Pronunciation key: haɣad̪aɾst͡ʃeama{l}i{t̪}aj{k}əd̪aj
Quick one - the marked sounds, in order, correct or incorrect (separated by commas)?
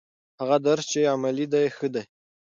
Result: correct, incorrect, incorrect